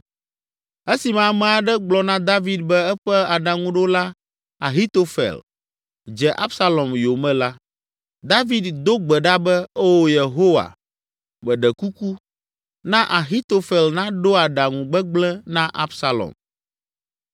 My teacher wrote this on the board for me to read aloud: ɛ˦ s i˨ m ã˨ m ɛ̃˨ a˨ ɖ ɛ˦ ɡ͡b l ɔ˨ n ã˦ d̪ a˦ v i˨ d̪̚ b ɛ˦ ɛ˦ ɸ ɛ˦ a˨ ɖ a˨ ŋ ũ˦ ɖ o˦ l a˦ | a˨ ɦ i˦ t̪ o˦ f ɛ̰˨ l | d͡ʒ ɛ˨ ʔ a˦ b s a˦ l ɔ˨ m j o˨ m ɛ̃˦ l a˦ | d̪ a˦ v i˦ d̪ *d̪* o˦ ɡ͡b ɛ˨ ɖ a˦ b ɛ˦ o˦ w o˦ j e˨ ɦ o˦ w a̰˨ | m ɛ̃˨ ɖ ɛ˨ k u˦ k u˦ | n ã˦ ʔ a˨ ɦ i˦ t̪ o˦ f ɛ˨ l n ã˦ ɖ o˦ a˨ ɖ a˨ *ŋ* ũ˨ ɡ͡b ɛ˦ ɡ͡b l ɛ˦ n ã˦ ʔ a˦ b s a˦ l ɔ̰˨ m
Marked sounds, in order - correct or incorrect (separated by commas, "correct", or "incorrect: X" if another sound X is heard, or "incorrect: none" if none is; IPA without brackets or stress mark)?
correct, correct